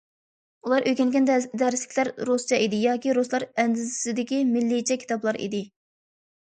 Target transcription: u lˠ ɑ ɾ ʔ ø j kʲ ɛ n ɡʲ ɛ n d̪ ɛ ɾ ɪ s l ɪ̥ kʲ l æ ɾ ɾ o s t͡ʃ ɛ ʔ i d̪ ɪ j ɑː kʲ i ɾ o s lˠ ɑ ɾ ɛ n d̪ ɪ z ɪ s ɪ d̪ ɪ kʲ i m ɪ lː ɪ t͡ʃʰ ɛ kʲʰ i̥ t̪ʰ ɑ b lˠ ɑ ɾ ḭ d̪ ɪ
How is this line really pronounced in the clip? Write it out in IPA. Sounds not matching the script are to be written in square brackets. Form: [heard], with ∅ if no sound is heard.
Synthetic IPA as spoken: u lˠ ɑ ɾ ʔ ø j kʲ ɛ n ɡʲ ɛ n d̪ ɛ ɾ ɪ s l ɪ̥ kʲ l æ ɾ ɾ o s t͡ʃ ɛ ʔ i d̪ ɪ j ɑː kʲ i ɾ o s lˠ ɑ ɾ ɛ n d̪ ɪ z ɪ s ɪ d̪ ɪ kʲ i m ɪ lː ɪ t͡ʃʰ ɛ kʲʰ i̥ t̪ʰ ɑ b lˠ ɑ ɾ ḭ d̪ ɪ